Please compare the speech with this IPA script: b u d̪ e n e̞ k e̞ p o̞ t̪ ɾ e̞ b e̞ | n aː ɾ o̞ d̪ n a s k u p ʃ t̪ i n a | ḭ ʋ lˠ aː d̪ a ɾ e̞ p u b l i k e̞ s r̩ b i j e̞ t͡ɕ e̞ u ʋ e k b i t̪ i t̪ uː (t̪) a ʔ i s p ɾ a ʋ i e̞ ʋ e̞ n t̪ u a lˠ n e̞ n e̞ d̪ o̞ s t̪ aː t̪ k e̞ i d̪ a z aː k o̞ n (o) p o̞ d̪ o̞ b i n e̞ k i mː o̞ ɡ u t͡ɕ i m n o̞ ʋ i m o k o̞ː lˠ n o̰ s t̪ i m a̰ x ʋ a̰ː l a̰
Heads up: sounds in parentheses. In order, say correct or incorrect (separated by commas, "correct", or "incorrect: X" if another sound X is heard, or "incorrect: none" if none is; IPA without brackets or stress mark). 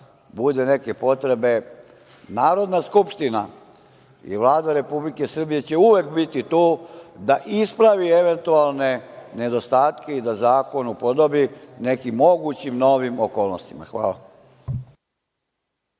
incorrect: d̪, incorrect: u